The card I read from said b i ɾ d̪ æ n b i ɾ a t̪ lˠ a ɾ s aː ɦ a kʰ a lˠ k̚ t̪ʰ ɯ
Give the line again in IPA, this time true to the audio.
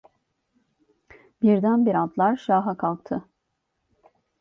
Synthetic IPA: b i ɾ d̪ æ n b i ɾ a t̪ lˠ a ɾ ʃ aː ɦ a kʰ a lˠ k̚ t̪ʰ ɯ